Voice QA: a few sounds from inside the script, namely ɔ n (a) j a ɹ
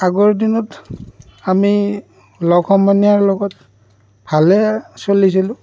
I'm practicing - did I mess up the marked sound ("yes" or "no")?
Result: yes